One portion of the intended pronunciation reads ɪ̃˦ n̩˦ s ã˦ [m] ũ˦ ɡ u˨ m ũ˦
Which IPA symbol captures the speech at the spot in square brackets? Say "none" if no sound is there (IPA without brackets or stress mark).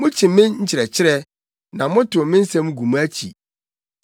m